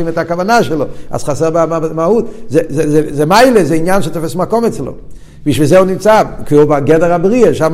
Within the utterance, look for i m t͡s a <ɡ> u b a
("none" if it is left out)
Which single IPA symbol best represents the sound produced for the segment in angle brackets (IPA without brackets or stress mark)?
k